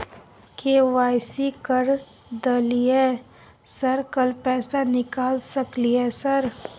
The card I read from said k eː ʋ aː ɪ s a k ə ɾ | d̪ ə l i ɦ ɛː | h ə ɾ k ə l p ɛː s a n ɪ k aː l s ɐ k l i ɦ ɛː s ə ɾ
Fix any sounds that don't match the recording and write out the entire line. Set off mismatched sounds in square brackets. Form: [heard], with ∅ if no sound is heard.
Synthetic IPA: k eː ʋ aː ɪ s [i] k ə ɾ | d̪ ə l i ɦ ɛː | [s] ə ɾ k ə l p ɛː s a n ɪ k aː l s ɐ k l i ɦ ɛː s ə ɾ